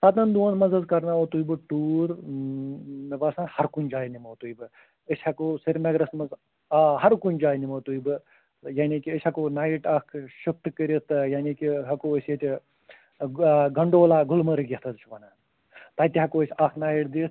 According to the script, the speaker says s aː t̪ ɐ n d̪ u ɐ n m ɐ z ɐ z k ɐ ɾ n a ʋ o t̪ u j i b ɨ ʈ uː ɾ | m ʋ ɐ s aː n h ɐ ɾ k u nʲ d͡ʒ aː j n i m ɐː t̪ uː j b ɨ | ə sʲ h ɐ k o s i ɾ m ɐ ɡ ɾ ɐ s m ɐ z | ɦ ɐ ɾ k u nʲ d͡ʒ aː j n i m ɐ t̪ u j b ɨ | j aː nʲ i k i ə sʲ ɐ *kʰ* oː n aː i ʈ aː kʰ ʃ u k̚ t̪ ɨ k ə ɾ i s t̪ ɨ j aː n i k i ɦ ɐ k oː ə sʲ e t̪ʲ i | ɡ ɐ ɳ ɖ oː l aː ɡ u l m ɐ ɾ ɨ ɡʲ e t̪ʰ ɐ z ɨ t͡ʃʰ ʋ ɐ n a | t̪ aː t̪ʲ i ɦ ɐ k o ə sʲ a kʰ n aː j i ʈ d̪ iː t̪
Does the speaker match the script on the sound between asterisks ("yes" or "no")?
no